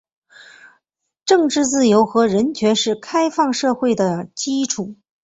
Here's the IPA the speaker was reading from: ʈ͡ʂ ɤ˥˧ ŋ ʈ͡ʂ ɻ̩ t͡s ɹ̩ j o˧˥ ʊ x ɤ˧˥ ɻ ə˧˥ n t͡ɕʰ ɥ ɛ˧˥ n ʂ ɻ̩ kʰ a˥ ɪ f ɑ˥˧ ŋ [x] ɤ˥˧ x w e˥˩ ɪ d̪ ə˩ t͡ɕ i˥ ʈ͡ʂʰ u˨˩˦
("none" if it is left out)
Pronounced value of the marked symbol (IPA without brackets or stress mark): ʂ